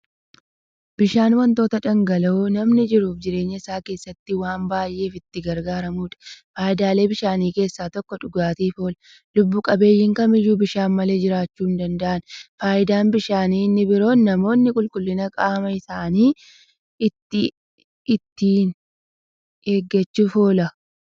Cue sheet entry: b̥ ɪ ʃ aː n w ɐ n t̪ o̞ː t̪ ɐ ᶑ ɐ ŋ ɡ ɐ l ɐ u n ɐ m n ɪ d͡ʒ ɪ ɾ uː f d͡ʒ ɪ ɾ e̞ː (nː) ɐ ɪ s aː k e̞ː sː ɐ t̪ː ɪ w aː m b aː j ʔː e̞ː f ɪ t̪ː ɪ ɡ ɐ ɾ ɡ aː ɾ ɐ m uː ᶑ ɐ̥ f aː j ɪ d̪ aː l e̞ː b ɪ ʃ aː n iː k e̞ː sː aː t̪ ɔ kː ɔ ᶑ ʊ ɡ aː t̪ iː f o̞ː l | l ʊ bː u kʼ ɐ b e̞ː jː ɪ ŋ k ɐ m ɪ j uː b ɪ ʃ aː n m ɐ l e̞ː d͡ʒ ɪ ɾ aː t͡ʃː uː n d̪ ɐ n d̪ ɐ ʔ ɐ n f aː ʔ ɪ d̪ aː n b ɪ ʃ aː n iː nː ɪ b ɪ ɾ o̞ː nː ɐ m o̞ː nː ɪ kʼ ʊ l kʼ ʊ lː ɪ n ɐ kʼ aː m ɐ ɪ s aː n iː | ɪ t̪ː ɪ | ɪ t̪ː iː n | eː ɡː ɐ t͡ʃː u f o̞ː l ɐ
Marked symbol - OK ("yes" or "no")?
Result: no